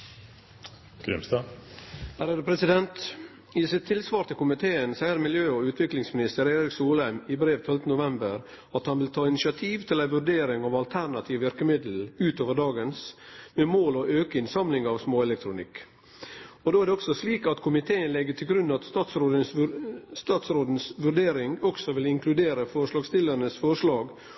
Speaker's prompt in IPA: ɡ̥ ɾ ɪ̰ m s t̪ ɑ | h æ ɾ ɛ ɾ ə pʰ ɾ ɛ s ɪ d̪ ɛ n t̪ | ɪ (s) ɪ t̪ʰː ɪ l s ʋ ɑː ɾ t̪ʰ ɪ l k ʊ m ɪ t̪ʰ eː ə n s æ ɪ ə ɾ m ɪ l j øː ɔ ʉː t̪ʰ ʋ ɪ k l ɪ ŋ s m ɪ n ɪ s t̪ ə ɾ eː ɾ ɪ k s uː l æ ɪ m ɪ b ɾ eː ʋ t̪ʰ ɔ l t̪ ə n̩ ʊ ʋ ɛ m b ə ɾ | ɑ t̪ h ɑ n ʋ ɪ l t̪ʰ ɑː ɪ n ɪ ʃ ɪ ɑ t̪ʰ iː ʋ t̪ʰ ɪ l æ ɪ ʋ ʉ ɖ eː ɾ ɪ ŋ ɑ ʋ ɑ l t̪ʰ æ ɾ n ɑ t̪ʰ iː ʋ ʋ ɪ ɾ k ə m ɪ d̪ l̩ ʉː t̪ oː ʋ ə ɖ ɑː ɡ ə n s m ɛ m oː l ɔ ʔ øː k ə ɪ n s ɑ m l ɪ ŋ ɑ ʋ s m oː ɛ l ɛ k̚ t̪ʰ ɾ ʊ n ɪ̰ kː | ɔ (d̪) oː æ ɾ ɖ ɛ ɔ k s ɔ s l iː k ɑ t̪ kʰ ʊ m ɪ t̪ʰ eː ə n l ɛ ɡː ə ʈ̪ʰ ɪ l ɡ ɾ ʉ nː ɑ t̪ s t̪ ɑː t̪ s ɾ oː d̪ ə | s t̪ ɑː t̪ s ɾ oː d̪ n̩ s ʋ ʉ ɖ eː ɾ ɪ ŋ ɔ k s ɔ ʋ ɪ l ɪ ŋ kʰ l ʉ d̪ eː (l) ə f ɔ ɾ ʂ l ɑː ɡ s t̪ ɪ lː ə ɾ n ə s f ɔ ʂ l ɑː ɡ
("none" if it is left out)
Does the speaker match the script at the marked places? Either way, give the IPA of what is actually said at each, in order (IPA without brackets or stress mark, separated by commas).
s, d̪, ɾ